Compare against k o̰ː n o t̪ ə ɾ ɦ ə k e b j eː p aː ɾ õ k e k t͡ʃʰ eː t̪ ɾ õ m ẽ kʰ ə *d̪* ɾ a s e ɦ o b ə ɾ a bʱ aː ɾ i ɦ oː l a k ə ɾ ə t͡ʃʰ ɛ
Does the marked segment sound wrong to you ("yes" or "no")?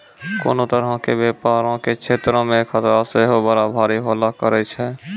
yes